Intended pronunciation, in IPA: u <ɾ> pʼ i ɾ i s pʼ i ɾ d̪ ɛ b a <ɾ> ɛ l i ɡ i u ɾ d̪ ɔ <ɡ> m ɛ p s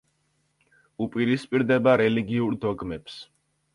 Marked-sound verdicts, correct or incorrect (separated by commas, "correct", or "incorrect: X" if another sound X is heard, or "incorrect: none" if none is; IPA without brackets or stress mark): incorrect: none, correct, correct